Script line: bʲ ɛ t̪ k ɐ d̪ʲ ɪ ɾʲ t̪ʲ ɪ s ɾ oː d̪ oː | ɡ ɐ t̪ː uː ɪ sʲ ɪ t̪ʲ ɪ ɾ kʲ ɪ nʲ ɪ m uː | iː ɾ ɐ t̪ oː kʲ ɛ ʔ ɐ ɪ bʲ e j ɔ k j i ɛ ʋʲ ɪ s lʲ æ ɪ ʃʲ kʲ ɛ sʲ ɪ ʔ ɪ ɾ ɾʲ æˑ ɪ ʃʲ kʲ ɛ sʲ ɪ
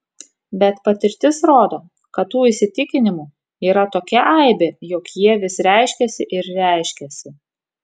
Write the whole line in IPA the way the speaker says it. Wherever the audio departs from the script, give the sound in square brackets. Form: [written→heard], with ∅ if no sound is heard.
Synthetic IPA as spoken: bʲ ɛ t̪ [k→p] ɐ [d̪ʲ→t̪ʲ] ɪ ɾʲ t̪ʲ ɪ s ɾ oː d̪ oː | [ɡ→k] ɐ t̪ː uː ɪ sʲ ɪ t̪ʲ ɪ [ɾ→∅] kʲ ɪ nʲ ɪ m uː | iː ɾ ɐ t̪ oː kʲ ɛ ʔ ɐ ɪ bʲ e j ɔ k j i ɛ ʋʲ ɪ s [lʲ→ɾʲ] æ ɪ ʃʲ kʲ ɛ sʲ ɪ ʔ ɪ ɾ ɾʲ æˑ ɪ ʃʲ kʲ ɛ sʲ ɪ